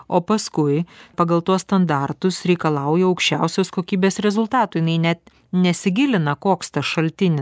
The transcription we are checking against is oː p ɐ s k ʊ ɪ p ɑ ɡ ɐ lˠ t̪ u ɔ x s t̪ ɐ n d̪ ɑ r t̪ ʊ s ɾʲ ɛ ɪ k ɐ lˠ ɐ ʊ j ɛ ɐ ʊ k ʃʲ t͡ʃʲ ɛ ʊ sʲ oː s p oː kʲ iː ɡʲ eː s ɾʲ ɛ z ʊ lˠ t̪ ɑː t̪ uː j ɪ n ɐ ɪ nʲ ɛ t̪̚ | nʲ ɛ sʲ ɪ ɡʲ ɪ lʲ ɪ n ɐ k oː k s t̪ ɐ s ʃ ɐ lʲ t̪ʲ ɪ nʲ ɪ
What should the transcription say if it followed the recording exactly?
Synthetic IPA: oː p ɐ s k ʊ ɪ p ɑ ɡ ɐ lˠ t̪ u ɔ s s t̪ ɐ n d̪ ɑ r t̪ ʊ s ɾʲ ɛ ɪ k ɐ lˠ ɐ ʊ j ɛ ɐ ʊ k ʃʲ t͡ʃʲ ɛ ʊ sʲ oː s k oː kʲ iː bʲ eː s ɾʲ ɛ z ʊ lˠ t̪ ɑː t̪ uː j ɪ n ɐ ɪ nʲ ɛ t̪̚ | nʲ ɛ sʲ ɪ ɡʲ ɪ lʲ ɪ n ɐ k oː k s t̪ ɐ s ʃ ɐ lʲ t̪ʲ ɪ nʲ ɪ